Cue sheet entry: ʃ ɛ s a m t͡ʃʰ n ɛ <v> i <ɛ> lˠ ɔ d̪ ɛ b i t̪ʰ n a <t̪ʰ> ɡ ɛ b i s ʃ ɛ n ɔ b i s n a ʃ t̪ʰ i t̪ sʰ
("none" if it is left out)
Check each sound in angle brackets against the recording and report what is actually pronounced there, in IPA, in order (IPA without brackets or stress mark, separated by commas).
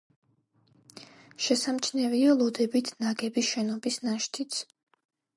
v, a, none